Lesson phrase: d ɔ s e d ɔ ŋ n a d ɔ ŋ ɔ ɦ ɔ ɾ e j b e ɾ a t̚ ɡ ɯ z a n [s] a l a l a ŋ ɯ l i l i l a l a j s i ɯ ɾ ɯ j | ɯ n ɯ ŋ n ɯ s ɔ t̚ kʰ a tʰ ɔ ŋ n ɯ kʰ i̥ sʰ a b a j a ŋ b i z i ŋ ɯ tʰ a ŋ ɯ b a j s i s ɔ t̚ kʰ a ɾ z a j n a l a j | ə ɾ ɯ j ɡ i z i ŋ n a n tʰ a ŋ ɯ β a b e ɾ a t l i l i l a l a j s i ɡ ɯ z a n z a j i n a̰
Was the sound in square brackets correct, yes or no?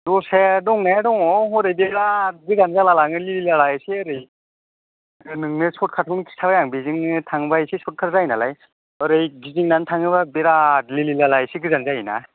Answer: no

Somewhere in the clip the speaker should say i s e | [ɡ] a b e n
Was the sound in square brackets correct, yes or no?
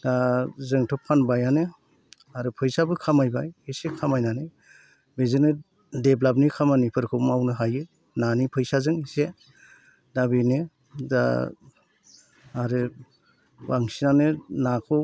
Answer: no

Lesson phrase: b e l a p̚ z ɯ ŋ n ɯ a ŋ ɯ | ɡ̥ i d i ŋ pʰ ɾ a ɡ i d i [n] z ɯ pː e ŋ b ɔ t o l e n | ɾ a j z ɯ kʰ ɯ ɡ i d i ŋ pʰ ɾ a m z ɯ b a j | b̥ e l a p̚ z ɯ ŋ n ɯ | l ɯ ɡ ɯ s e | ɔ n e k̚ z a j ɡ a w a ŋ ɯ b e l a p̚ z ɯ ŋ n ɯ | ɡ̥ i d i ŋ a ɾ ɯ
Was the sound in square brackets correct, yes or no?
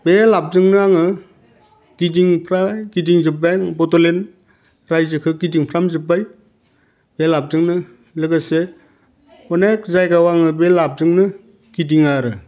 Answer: no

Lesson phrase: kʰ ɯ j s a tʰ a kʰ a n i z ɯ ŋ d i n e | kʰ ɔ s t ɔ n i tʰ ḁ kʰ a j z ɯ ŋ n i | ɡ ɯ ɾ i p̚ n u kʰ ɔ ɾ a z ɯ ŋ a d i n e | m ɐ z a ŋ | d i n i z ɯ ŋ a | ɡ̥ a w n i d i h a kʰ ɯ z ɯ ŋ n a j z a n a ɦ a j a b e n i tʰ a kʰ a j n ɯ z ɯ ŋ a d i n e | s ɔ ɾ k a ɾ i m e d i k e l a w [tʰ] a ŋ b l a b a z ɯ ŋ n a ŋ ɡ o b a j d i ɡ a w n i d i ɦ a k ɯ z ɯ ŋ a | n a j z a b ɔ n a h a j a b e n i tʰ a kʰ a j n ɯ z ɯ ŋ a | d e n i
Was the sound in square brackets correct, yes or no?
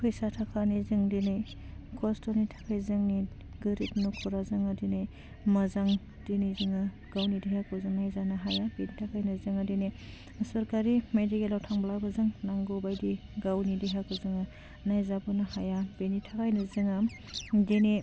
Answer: yes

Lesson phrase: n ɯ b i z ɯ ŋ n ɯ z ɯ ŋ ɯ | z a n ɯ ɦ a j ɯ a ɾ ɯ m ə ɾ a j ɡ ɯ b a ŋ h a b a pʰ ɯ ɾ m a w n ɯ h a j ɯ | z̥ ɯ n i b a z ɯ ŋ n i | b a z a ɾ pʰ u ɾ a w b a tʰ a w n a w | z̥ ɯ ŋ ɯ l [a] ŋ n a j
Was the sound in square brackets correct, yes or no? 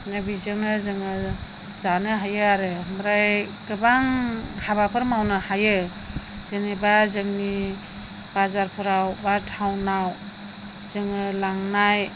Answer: yes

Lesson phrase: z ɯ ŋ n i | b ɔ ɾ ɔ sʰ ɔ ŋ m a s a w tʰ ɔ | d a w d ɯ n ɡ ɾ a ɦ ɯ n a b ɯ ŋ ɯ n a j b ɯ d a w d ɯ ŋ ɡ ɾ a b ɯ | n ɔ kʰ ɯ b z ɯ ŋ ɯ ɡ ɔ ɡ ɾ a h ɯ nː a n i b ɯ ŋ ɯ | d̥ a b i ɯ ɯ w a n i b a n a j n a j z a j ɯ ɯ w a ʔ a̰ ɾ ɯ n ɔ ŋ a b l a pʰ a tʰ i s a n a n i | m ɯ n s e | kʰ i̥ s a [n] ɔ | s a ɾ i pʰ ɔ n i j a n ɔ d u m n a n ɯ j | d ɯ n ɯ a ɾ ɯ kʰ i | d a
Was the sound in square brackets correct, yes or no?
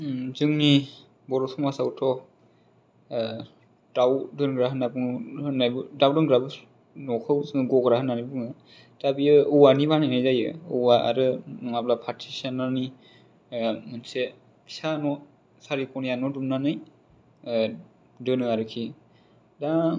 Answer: yes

